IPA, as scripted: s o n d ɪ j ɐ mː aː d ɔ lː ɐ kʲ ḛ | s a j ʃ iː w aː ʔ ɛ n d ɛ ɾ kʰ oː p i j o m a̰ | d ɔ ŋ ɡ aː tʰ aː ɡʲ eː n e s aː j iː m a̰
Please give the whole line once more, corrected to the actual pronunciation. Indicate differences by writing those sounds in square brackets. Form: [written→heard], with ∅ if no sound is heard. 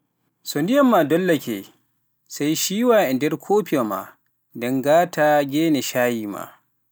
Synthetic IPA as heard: s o n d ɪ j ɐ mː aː d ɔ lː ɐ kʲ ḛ | s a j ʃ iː w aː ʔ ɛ n d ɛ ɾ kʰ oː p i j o m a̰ | d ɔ ŋ ɡ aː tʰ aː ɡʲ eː n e [s→ʃ] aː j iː m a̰